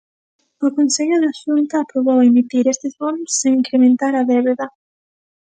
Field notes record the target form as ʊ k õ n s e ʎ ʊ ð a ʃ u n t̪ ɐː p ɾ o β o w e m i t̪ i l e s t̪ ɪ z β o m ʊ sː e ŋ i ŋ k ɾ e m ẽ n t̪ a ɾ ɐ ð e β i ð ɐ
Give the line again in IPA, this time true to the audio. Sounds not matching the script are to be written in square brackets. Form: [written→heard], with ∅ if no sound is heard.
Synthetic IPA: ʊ k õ n s e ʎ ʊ ð a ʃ u n t̪ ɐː p ɾ o β o w e m i t̪ i [l→ɾ] e s t̪ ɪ z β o [m→n] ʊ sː e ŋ i ŋ k ɾ e m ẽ n t̪ a ɾ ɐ ð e β [i→e] ð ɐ